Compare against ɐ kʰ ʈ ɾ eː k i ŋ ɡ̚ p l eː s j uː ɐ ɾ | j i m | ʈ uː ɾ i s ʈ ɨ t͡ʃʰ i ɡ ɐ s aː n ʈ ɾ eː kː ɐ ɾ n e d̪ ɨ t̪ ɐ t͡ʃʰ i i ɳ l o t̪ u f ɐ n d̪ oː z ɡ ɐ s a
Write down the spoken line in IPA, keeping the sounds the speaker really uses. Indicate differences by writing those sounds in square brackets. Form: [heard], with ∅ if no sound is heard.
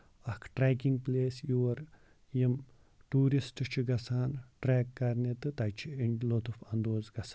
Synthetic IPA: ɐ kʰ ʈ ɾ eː k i ŋ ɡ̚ p l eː s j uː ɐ ɾ | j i m | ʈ uː ɾ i s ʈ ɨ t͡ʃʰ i ɡ ɐ s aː n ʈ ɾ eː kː ɐ ɾ n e [t̪] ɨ t̪ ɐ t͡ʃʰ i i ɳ l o t̪ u f ɐ n d̪ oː z ɡ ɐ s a